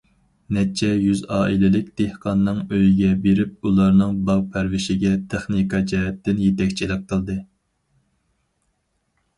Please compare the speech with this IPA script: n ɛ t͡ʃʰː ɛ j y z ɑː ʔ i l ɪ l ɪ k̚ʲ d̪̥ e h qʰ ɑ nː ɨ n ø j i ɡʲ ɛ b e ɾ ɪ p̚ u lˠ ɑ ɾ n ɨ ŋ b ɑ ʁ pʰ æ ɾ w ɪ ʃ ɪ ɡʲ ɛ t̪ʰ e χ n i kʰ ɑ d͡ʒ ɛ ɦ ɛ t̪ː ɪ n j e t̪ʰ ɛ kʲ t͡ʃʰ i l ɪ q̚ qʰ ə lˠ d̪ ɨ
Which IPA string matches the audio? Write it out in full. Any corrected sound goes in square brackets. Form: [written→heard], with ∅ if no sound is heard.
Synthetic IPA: n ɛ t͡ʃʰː ɛ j y z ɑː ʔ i l ɪ l ɪ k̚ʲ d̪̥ e h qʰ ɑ nː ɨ [n→ŋ] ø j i ɡʲ ɛ b e ɾ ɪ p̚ u lˠ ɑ ɾ n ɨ ŋ b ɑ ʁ pʰ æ ɾ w ɪ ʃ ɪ ɡʲ ɛ t̪ʰ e χ n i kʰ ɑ d͡ʒ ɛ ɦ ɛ t̪ː ɪ n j e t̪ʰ ɛ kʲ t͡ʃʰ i l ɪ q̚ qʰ ə lˠ d̪ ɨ

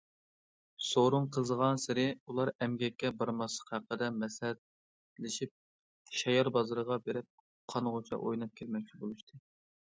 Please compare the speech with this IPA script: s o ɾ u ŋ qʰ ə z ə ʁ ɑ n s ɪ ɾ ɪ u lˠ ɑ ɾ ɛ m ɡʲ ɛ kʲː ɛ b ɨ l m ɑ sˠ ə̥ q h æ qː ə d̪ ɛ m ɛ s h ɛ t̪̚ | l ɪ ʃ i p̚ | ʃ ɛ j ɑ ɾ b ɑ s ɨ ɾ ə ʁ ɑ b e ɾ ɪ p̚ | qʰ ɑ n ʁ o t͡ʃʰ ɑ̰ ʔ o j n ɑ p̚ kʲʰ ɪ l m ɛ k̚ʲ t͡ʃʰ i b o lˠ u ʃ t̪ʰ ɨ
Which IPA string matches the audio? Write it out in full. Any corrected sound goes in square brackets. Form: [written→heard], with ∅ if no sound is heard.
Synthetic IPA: s o ɾ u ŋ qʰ ə z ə ʁ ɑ n s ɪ ɾ ɪ u lˠ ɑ ɾ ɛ m ɡʲ ɛ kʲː ɛ b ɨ [l→ɾ] m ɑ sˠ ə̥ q h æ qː ə d̪ ɛ m ɛ s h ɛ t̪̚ | l ɪ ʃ i p̚ | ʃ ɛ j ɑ ɾ b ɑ [s→z] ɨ ɾ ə ʁ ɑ b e ɾ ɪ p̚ | qʰ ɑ n ʁ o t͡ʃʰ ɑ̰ ʔ o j n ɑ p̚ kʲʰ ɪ l m ɛ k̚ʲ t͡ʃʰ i b o lˠ u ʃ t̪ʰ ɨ

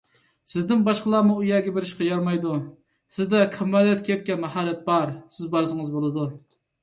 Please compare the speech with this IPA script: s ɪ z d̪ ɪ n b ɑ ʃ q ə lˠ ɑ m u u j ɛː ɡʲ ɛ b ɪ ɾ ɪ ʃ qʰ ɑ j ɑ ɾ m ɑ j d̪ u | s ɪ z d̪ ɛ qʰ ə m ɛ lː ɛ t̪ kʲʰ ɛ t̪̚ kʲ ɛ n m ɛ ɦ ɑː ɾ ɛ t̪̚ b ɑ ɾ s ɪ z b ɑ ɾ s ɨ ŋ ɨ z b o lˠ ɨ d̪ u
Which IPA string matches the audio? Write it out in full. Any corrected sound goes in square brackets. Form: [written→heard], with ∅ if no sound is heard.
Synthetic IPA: s ɪ z d̪ ɪ n b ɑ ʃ q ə lˠ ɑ m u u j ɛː ɡʲ ɛ b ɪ ɾ ɪ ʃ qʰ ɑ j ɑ ɾ m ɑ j d̪ u | s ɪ z d̪ ɛ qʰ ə m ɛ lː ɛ t̪ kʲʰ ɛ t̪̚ kʲ ɛ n m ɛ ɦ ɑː ɾ ɛ t̪̚ b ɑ ɾ s ɪ z b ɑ ɾ s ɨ ŋ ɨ z b o lˠ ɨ d̪ u

